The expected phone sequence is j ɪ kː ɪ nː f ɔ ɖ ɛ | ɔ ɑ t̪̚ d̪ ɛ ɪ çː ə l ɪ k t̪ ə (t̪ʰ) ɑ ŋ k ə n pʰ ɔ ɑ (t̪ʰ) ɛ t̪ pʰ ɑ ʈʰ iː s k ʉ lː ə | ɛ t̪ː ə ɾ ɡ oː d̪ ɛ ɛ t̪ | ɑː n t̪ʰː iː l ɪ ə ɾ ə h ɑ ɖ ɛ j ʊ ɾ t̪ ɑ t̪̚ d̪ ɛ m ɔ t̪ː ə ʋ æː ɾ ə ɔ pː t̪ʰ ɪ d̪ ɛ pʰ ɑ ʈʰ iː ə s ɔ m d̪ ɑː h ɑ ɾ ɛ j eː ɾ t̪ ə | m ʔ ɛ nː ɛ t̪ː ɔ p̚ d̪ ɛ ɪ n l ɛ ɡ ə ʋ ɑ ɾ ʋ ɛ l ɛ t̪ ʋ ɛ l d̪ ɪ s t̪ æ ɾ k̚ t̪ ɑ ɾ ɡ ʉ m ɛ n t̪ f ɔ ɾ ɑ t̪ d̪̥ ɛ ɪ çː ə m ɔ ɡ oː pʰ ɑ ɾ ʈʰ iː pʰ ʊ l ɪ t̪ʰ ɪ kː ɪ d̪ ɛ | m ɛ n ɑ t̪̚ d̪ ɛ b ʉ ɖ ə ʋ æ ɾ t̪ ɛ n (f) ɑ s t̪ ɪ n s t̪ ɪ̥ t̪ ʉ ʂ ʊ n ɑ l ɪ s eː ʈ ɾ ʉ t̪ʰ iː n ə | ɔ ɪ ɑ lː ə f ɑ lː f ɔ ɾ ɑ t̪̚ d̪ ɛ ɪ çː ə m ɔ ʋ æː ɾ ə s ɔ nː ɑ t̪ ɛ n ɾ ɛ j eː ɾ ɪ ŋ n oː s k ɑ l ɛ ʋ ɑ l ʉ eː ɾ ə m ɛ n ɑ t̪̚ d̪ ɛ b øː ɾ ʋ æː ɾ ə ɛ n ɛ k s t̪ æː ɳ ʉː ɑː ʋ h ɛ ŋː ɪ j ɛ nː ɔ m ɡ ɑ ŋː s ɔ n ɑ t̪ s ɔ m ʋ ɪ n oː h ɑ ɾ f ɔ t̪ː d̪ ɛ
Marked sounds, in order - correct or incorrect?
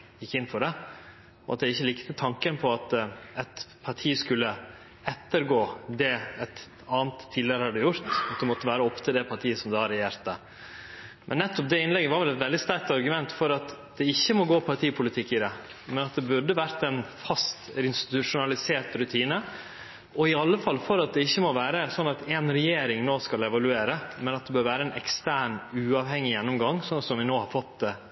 correct, incorrect, correct

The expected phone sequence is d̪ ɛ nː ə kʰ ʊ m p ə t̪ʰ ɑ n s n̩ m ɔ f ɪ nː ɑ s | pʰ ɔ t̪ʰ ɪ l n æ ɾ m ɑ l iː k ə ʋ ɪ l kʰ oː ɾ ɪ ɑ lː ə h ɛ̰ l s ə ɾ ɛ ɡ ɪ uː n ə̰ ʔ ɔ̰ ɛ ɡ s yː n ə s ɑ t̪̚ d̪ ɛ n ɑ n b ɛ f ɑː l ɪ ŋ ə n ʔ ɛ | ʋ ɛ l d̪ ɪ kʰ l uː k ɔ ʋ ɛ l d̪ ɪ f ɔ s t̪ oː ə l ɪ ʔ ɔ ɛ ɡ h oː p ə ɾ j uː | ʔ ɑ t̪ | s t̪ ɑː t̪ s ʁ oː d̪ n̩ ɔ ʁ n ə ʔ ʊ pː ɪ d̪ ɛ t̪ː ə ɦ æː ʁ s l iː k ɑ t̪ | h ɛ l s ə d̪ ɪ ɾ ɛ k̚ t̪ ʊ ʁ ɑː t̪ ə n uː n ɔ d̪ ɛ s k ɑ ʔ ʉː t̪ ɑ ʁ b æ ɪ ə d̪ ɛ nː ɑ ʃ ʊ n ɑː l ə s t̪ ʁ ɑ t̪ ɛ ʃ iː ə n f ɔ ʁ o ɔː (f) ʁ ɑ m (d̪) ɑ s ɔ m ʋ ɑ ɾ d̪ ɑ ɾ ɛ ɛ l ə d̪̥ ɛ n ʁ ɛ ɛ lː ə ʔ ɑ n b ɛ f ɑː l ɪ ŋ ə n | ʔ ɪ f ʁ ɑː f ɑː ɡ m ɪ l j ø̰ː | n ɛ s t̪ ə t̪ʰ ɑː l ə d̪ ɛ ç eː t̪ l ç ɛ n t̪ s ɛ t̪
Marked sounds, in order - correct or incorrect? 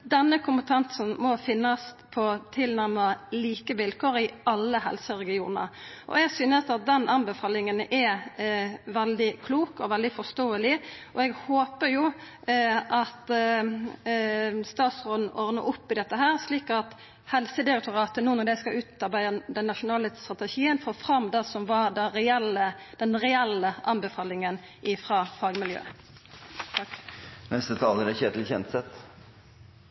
correct, correct

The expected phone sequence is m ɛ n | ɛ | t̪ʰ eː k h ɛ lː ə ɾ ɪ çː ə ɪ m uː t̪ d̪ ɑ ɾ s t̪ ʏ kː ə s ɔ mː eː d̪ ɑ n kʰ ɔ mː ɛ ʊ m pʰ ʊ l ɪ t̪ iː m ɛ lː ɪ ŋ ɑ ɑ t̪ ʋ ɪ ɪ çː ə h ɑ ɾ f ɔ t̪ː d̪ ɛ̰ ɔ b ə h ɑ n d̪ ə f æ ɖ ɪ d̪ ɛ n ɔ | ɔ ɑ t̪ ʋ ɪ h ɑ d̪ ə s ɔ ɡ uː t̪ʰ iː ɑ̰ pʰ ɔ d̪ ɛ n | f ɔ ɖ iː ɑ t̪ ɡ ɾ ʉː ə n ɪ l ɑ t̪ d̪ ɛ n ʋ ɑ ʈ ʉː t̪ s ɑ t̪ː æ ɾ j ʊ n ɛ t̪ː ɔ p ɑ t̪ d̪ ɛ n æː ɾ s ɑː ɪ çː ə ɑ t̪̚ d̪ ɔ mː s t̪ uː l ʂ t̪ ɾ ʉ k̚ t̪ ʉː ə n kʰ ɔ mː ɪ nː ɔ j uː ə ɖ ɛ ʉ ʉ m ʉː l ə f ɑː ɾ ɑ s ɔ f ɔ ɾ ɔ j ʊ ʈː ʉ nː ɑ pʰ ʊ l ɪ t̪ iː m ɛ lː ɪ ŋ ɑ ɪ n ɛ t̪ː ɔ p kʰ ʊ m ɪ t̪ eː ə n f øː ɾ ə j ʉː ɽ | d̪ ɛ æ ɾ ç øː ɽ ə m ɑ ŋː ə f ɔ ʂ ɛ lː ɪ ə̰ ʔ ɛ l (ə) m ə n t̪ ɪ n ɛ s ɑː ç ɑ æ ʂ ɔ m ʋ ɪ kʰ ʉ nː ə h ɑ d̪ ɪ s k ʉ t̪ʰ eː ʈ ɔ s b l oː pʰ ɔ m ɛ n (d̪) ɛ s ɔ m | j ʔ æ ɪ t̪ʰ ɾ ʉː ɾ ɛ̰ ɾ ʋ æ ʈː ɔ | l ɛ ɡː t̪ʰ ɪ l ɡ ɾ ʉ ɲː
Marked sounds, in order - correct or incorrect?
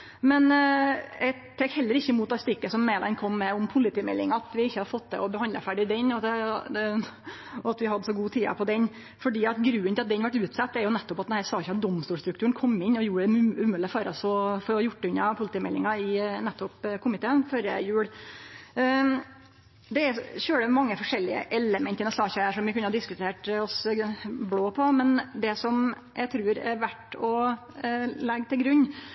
correct, correct

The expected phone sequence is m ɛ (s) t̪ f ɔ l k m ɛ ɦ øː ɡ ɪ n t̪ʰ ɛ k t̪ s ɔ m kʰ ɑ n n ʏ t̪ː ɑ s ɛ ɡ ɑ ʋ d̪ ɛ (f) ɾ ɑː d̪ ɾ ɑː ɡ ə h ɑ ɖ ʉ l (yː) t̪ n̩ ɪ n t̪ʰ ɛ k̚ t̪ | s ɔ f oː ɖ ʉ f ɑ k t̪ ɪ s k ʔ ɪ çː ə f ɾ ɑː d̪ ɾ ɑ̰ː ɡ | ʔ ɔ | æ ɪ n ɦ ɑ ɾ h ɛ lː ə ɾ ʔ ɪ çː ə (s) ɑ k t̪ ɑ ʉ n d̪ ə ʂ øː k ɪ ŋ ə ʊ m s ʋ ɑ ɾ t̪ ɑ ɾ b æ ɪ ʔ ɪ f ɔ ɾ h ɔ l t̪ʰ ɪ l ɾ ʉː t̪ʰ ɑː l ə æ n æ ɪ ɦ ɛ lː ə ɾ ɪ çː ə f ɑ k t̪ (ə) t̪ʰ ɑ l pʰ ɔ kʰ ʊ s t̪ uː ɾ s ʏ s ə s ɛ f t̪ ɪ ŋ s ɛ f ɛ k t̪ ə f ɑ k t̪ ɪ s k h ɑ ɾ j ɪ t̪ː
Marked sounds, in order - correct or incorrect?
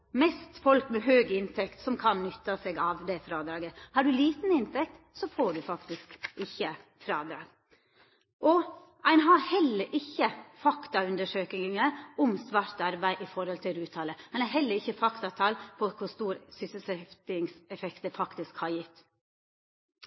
correct, correct, incorrect, incorrect, incorrect

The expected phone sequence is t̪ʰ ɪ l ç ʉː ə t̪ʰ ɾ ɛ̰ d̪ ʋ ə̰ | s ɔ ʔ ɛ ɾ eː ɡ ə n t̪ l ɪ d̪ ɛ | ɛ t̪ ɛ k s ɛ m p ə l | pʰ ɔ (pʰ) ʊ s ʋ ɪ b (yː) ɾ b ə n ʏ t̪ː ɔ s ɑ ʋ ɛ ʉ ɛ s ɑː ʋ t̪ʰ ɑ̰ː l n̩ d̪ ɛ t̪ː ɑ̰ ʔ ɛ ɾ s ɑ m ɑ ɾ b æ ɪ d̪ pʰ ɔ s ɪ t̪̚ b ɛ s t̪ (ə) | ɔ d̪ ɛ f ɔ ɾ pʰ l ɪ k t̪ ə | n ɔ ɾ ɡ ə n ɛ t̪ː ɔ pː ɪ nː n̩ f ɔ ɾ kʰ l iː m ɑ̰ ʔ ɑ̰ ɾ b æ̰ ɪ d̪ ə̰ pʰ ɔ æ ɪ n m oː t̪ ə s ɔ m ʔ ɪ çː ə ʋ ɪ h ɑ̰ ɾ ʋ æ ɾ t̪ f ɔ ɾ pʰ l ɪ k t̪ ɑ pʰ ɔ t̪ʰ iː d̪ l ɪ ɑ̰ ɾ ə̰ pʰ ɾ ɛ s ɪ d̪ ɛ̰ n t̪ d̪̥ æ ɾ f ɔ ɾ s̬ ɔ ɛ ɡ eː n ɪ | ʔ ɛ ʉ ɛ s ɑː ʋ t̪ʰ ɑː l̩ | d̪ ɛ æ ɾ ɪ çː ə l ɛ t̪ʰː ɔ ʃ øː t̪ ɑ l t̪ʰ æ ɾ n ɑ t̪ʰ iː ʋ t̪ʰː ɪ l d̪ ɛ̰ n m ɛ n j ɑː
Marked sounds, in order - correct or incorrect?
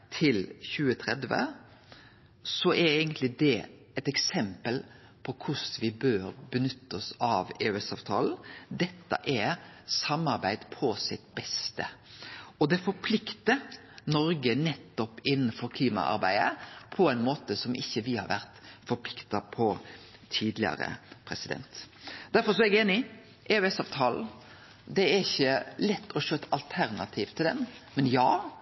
incorrect, incorrect, correct

